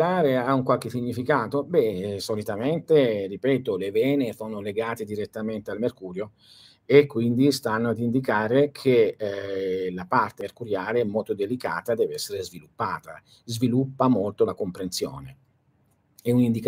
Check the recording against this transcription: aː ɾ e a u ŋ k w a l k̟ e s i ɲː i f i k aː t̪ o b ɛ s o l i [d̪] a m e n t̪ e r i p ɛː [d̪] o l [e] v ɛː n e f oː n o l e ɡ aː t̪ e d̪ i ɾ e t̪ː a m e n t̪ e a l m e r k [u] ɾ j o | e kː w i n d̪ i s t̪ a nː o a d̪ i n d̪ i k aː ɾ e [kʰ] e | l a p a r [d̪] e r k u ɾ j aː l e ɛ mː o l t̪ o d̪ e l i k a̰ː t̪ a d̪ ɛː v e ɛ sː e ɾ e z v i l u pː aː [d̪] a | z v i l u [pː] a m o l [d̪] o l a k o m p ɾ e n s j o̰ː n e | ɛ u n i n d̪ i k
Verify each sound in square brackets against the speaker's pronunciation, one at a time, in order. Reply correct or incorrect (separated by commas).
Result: incorrect, incorrect, correct, incorrect, correct, incorrect, incorrect, correct, incorrect